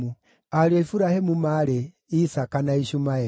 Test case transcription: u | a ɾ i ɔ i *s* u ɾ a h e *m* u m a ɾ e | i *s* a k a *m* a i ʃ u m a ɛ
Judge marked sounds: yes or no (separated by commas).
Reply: no, yes, yes, no